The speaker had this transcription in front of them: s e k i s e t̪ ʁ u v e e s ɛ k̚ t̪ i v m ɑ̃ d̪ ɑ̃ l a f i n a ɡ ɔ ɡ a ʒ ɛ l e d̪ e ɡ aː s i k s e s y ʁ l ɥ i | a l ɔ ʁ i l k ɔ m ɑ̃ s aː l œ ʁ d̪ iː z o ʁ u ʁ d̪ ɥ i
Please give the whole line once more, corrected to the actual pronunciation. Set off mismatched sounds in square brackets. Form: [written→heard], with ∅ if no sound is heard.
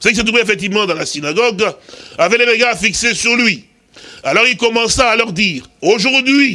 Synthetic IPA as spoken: s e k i s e t̪ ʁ u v e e [s→f] ɛ k̚ t̪ i v m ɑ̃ d̪ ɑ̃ l a [f→s] i n a ɡ ɔ ɡ a [ʒ→v] ɛ l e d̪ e ɡ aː [s→f] i k s e s y ʁ l ɥ i | a l ɔ ʁ i l k ɔ m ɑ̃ s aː l œ ʁ d̪ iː [z→ʁ] o [ʁ→ʒ] u ʁ d̪ ɥ i